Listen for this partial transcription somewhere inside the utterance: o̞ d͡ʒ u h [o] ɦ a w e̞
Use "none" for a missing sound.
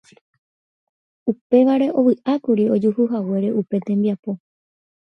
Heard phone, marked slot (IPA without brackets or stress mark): u